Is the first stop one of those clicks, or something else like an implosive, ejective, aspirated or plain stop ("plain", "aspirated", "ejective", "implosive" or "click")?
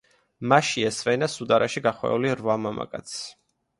plain